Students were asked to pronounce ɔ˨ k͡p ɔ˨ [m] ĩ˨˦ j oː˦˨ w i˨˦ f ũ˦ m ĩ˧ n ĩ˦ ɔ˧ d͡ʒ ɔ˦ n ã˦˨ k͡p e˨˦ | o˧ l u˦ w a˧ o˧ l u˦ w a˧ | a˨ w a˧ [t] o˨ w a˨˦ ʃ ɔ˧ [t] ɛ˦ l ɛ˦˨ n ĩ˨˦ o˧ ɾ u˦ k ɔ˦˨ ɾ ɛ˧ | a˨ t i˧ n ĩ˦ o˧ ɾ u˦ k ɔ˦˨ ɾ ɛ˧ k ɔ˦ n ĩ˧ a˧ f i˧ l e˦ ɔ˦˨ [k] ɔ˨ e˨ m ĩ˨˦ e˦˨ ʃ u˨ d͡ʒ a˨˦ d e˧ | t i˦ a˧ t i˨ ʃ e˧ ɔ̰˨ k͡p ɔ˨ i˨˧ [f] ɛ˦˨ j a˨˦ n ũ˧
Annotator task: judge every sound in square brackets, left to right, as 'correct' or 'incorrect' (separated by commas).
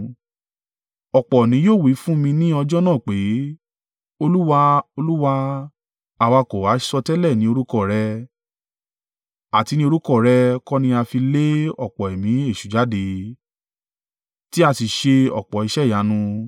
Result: incorrect, incorrect, correct, incorrect, incorrect